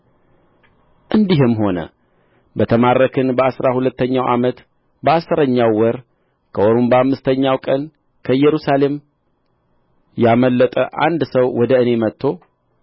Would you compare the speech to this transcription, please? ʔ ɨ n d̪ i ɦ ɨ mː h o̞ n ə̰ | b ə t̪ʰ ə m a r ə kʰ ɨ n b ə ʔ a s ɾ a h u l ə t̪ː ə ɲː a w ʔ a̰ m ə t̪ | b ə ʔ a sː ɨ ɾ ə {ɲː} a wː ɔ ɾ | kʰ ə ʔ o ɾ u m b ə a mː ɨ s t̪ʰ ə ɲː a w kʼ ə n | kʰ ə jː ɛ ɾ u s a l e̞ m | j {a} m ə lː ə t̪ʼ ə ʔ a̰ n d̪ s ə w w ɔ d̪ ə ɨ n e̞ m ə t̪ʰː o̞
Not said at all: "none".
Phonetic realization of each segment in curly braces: ɲː, a

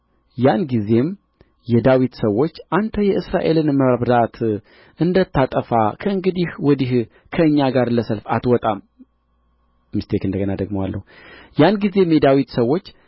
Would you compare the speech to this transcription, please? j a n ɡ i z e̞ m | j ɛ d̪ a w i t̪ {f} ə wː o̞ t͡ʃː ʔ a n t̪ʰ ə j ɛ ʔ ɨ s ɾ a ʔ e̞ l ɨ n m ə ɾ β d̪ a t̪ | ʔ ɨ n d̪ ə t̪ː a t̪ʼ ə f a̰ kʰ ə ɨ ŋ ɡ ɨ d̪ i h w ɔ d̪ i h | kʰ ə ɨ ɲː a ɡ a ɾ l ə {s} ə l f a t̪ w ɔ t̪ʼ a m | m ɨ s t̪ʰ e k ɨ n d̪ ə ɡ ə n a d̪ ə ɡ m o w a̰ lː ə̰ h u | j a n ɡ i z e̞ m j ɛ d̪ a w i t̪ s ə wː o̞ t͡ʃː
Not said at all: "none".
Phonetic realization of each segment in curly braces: s, s

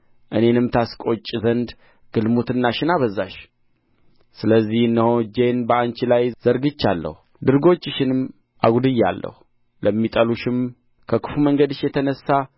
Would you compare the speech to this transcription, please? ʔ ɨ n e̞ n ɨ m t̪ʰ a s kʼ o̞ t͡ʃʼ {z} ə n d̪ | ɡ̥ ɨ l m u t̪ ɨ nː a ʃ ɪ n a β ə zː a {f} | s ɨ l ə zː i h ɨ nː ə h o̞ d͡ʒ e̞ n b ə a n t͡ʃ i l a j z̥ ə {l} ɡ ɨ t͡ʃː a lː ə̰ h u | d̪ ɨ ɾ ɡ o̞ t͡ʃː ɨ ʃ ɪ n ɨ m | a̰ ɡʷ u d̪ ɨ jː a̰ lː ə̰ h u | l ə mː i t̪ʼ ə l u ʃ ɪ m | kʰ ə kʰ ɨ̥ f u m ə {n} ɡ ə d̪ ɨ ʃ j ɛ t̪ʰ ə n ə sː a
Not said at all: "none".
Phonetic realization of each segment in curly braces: z, ʃ, ɾ, ŋ

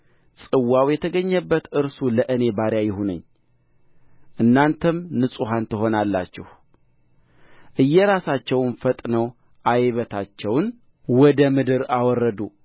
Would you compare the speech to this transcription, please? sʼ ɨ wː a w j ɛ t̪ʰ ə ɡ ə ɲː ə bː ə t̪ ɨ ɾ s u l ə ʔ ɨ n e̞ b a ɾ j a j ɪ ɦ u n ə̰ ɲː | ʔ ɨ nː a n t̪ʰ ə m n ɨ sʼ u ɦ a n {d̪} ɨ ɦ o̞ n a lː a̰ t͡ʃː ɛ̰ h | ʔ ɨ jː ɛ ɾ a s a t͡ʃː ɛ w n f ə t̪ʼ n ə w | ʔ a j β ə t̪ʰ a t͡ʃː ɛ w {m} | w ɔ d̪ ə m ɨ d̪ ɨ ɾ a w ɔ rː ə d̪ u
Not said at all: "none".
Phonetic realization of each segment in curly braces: t̪, n

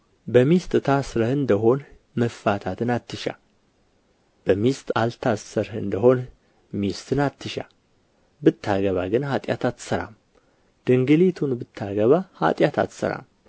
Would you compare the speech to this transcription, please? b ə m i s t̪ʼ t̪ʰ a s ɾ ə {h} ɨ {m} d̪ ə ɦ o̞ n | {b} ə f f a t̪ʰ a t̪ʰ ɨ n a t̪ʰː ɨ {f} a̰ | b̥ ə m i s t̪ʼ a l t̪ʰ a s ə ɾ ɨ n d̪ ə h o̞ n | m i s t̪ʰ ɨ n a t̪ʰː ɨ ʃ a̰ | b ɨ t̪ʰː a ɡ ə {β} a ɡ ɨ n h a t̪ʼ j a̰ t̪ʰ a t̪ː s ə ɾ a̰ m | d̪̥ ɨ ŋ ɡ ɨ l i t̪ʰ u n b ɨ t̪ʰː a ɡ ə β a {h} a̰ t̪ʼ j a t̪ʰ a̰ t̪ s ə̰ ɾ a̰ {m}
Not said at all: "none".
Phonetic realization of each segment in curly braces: h, n, m, ʃ, β, h, m

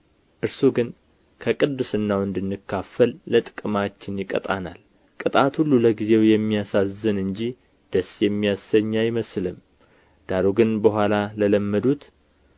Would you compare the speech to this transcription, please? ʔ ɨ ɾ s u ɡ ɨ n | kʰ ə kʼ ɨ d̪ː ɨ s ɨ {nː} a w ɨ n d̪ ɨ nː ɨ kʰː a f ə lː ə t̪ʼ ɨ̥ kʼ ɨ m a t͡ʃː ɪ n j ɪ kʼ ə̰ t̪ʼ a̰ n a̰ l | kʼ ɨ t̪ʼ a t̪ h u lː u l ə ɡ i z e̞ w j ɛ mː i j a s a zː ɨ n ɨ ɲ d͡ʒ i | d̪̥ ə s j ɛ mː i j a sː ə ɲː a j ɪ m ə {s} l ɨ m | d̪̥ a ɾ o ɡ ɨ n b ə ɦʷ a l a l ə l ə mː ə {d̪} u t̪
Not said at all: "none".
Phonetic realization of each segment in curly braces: nː, s, d̪

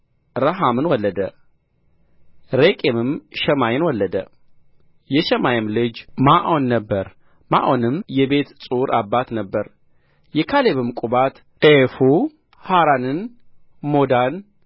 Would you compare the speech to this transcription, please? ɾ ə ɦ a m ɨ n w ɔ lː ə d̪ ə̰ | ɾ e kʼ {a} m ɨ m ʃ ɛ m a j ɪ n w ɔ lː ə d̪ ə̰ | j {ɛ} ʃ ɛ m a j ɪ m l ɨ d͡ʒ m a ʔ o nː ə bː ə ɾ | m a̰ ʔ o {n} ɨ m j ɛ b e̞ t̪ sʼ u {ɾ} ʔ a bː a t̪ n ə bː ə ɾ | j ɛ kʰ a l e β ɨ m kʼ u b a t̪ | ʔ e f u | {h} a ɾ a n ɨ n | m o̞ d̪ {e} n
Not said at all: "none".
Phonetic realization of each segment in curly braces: e, ɛ, n, ɾ, h, a

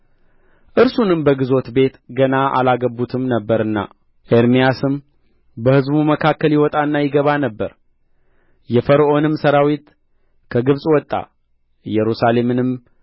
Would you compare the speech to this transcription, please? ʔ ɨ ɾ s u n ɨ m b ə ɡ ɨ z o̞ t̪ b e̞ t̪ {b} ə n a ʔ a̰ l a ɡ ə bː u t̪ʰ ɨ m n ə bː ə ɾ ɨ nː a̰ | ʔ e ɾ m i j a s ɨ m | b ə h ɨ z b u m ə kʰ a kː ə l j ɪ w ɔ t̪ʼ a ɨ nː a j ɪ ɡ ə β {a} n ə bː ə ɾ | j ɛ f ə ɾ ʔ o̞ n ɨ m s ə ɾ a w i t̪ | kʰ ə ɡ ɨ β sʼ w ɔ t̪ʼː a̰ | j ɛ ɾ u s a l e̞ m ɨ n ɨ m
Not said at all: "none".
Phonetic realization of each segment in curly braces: ɡ, a

